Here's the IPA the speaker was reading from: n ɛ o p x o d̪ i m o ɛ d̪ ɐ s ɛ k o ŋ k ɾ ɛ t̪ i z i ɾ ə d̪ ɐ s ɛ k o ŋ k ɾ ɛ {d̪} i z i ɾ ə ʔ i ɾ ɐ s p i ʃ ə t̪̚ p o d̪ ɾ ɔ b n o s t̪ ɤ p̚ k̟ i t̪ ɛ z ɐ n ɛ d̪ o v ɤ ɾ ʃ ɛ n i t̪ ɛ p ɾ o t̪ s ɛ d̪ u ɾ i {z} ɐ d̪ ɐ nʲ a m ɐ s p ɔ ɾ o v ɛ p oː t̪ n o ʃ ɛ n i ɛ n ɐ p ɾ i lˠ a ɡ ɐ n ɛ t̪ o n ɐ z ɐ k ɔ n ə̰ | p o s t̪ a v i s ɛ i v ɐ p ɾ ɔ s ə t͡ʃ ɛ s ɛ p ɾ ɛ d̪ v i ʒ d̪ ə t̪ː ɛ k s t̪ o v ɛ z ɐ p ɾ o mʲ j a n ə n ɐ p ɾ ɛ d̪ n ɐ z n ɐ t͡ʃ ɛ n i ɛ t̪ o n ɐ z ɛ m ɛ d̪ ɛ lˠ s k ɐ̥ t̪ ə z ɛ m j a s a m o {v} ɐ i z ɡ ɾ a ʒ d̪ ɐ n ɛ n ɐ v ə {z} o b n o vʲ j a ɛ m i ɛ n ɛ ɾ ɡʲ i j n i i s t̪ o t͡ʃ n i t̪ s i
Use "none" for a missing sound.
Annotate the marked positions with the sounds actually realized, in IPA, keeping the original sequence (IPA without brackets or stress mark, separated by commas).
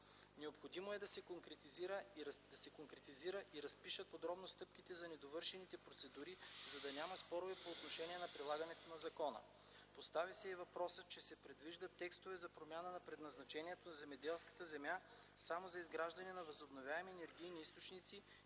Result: t̪, z, z, z